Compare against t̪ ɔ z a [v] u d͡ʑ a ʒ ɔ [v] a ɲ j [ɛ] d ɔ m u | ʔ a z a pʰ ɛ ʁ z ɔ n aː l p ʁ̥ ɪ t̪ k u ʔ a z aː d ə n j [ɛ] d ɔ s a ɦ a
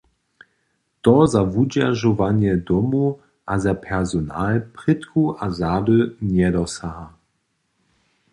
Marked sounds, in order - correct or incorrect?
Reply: correct, correct, correct, correct

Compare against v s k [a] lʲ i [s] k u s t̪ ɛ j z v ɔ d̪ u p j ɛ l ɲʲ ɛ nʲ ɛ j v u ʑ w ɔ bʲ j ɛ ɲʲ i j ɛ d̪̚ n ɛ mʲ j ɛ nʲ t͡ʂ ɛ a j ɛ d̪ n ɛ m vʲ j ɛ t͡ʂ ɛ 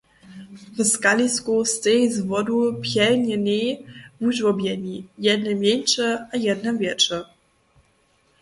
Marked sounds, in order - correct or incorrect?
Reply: correct, correct

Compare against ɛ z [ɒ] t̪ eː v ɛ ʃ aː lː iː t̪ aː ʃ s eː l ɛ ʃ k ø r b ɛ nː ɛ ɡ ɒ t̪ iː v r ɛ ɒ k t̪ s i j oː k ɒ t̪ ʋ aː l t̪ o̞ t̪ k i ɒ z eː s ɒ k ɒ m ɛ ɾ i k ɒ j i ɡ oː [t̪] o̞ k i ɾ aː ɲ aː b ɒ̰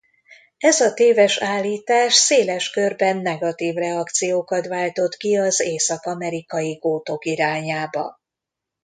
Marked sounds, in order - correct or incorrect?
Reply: correct, correct

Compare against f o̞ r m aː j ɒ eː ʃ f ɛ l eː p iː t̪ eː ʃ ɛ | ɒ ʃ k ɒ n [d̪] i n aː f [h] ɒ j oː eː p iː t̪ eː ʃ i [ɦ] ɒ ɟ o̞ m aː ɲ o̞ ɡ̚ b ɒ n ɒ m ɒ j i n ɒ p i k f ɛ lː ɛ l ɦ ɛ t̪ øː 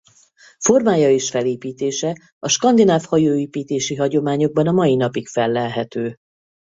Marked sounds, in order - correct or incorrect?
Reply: correct, correct, correct

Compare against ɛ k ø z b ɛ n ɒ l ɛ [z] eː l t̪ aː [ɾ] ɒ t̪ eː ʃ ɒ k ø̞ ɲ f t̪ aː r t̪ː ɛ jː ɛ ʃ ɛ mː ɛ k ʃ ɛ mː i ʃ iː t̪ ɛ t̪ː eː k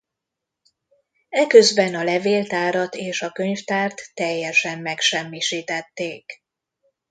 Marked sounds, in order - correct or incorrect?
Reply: incorrect: v, correct

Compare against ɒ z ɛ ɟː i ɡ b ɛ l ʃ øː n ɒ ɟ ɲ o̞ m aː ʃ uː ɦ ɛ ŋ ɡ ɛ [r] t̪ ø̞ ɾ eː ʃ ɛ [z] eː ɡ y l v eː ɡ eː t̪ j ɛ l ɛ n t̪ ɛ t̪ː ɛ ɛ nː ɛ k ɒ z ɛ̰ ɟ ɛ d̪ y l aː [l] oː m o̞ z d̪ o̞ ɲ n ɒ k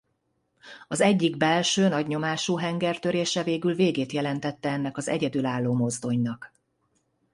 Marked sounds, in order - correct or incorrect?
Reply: correct, incorrect: v, incorrect: lː

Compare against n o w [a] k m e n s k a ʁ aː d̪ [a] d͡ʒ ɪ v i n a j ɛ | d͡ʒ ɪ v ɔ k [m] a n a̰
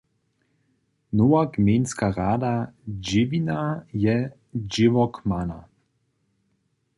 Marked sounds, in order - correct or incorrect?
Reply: correct, correct, correct

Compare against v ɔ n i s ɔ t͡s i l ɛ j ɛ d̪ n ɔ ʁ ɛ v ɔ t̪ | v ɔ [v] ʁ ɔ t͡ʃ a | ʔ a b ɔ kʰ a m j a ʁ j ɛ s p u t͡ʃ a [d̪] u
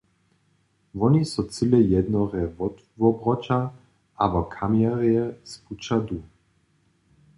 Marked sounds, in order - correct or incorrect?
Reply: incorrect: b, correct

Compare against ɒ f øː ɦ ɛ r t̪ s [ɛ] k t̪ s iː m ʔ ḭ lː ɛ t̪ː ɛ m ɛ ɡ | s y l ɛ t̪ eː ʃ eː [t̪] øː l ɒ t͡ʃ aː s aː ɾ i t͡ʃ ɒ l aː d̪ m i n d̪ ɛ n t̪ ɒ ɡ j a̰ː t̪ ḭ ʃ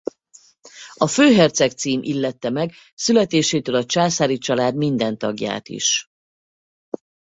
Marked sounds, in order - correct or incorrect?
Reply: correct, correct

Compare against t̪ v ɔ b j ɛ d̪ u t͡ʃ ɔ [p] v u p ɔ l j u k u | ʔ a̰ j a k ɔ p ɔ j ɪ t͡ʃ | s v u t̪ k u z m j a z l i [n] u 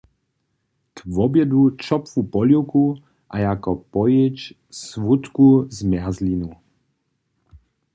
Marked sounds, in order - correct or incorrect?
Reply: correct, correct

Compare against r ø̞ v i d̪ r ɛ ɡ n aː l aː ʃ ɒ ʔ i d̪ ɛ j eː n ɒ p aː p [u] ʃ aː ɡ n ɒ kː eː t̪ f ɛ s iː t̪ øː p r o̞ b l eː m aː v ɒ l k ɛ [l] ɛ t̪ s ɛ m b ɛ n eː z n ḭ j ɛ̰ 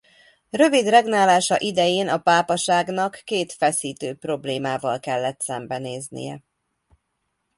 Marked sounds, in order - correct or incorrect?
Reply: incorrect: ɒ, incorrect: lː

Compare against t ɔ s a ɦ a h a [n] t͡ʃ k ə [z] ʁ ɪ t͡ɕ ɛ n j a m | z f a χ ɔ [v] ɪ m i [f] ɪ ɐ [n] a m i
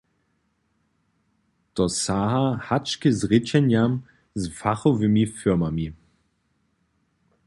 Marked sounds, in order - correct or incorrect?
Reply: incorrect: none, correct, correct, correct, incorrect: m

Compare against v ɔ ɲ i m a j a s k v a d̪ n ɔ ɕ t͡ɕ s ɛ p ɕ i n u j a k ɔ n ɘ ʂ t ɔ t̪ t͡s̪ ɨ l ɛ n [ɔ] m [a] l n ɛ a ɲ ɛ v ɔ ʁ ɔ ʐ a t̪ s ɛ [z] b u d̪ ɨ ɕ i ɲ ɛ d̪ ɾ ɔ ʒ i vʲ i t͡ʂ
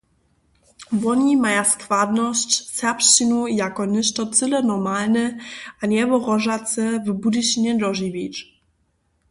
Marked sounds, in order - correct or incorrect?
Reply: correct, correct, incorrect: v

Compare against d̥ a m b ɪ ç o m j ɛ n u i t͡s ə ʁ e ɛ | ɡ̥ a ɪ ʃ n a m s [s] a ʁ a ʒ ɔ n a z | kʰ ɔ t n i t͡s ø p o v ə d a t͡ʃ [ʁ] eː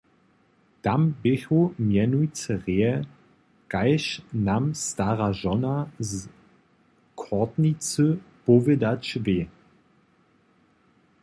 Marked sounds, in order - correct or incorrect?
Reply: incorrect: t, incorrect: v

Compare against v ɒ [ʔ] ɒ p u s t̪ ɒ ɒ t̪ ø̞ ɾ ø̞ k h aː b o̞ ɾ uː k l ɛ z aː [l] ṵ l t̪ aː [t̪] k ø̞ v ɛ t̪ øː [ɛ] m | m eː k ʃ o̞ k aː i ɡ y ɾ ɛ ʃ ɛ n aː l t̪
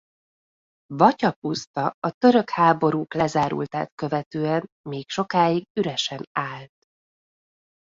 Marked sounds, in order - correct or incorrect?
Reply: incorrect: c, incorrect: ɾ, correct, correct

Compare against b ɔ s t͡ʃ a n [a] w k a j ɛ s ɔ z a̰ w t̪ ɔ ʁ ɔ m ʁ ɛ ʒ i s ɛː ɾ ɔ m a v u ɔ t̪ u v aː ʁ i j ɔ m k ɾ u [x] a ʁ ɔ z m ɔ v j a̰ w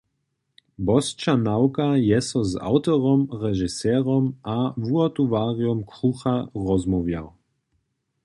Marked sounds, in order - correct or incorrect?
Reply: correct, correct

